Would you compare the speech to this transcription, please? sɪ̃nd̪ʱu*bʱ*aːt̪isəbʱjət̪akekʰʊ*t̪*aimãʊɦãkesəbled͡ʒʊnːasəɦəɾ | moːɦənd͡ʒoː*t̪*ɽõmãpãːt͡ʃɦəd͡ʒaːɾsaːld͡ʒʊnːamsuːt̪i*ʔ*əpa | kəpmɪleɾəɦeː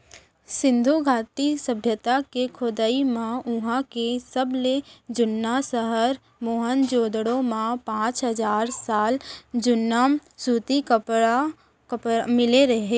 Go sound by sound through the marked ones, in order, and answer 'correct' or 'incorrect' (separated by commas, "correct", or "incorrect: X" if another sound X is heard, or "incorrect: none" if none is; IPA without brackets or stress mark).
incorrect: ɡʱ, incorrect: d̪, incorrect: d̪, incorrect: k